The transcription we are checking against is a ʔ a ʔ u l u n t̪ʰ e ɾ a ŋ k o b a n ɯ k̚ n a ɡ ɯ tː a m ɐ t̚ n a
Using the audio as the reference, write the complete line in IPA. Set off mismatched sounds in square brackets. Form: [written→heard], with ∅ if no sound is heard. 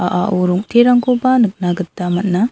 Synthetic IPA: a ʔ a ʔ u [l→ɾ] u [n→ŋ] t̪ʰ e ɾ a ŋ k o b a n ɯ k̚ n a ɡ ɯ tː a m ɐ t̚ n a